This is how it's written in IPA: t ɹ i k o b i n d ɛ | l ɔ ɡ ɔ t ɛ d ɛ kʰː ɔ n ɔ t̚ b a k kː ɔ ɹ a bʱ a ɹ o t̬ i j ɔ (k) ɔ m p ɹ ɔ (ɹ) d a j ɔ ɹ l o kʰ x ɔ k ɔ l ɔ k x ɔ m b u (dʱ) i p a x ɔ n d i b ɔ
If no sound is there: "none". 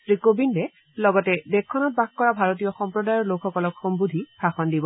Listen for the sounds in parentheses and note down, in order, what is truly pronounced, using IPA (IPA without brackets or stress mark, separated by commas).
x, none, dʱ